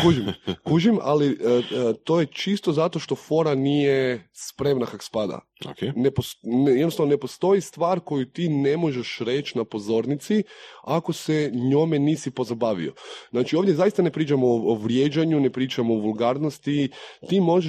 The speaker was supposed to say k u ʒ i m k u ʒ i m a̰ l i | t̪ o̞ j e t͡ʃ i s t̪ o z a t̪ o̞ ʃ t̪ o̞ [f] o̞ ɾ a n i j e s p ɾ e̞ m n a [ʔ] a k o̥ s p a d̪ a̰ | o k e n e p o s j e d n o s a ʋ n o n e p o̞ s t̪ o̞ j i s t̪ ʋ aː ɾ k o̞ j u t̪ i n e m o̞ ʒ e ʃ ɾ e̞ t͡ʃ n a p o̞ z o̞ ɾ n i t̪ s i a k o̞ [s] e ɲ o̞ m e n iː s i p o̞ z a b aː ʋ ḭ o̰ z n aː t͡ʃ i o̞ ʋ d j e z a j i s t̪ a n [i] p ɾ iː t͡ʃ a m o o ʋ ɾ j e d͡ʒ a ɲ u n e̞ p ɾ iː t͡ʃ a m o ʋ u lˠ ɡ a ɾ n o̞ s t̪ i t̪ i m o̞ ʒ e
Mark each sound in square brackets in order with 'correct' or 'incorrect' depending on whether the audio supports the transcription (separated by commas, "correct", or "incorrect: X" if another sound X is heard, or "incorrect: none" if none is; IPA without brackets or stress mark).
correct, incorrect: k, correct, incorrect: e